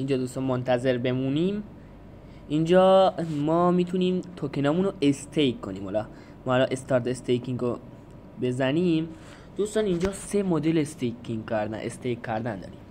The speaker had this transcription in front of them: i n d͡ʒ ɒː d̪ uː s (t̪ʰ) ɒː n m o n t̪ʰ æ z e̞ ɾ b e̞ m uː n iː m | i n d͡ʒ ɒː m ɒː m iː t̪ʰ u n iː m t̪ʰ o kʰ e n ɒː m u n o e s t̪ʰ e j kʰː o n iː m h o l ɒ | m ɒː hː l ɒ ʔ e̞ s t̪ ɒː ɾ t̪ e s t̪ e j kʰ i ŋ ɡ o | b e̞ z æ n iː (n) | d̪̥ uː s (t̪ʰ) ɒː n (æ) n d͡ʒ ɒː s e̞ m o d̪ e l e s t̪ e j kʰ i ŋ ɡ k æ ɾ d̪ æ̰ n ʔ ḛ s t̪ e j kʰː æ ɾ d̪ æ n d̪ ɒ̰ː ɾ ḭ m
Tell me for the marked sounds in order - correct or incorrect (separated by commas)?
incorrect, incorrect, incorrect, incorrect